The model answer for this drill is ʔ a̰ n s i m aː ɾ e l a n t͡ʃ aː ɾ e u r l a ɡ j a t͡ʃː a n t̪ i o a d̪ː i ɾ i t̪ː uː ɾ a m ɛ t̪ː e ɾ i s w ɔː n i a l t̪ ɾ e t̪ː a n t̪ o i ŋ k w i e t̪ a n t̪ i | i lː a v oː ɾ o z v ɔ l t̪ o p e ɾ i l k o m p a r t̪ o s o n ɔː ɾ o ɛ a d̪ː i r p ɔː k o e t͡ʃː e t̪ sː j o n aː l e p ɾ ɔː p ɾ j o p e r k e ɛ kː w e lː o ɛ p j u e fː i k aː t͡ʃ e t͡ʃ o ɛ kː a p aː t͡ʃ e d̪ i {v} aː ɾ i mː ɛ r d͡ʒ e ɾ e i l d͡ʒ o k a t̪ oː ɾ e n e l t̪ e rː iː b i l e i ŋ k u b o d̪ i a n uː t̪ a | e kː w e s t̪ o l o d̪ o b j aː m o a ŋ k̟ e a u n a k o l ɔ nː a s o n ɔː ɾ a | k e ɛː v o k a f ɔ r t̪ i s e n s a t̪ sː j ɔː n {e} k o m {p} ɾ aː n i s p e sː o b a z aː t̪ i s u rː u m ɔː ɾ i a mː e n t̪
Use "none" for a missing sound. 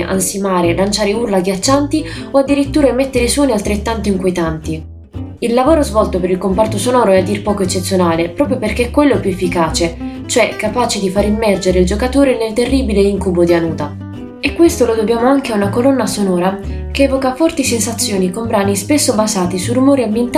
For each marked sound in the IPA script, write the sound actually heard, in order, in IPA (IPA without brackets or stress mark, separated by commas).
f, i, b